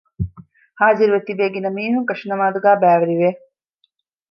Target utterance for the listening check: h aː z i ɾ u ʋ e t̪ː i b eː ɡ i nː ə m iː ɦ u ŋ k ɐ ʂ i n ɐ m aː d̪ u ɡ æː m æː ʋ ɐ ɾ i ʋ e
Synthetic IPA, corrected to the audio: h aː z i ɾ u ʋ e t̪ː i b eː ɡ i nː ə m iː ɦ u ŋ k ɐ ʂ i n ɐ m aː d̪ u ɡ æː b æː ʋ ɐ ɾ i ʋ e